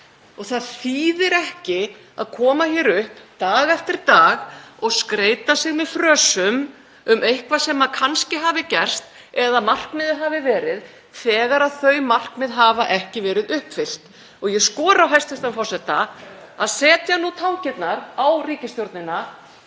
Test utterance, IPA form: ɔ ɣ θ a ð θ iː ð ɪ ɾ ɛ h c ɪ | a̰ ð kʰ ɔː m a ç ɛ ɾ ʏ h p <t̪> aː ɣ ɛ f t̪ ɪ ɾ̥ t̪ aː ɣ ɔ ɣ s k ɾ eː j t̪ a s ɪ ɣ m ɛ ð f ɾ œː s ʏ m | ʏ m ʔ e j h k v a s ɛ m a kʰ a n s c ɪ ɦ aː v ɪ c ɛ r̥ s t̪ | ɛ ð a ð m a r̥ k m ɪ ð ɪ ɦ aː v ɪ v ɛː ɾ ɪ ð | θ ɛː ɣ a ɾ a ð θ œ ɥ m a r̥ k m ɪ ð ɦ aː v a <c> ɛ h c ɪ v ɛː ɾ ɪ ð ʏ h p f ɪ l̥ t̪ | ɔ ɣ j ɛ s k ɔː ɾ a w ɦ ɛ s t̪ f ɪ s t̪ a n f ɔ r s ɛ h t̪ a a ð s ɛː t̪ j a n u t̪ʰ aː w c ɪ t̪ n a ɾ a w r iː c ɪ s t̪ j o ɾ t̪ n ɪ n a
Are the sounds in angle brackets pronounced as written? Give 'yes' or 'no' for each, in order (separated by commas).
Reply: yes, no